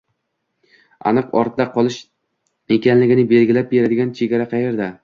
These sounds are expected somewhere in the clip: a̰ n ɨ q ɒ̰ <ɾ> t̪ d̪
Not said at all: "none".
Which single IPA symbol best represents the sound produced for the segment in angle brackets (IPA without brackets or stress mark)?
ɾ